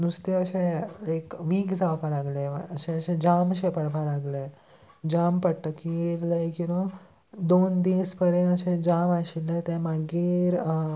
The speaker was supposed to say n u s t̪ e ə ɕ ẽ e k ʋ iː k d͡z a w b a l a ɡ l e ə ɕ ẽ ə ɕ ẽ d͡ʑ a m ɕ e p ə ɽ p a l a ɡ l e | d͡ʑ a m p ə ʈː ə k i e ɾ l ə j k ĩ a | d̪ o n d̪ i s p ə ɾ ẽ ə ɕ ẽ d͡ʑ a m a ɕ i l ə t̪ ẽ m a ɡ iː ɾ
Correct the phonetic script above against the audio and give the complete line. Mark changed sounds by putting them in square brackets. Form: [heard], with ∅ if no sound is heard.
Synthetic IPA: n u s t̪ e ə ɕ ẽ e k ʋ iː k d͡z a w [p] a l a ɡ l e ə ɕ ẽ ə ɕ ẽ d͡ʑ a m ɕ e p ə ɽ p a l a ɡ l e | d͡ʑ a m p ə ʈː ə k i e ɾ l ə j k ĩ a | d̪ o n d̪ i s p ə ɾ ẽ ə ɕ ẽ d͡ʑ a m a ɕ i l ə t̪ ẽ m a ɡ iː ɾ